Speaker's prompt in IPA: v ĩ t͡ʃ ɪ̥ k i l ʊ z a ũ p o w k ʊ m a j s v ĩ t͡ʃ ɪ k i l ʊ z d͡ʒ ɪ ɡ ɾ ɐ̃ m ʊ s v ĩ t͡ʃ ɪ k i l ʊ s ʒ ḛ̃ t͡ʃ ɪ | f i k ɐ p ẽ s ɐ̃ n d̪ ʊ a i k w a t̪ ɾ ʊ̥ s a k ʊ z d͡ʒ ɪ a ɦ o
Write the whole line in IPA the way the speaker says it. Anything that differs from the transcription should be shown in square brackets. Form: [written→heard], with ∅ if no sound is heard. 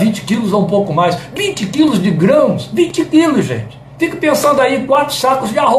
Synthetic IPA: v ĩ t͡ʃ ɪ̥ k i l ʊ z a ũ p o w k ʊ m a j s v ĩ t͡ʃ ɪ k i l ʊ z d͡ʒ ɪ ɡ ɾ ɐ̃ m ʊ s v ĩ t͡ʃ ɪ k i l ʊ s ʒ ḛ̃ t͡ʃ ɪ | f i k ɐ p ẽ s ɐ̃ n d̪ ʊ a i k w a t̪ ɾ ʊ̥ s a k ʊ z d͡ʒ ɪ a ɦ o